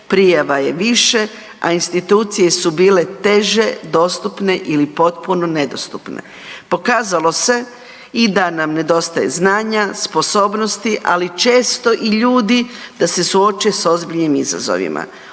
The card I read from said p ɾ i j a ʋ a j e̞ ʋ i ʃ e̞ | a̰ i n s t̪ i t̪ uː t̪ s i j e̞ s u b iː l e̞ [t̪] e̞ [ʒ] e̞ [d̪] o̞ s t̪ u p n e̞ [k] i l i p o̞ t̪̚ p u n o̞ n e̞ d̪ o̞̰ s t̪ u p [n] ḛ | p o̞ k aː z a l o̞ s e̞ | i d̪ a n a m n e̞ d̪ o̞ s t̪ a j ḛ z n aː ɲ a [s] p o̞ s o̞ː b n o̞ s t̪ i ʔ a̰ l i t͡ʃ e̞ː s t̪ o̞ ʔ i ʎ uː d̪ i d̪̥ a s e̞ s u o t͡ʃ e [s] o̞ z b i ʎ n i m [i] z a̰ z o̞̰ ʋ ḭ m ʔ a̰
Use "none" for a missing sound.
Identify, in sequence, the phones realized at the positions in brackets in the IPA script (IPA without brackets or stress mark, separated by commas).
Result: t̪, ʒ, d̪, ʔ, n, s, s, i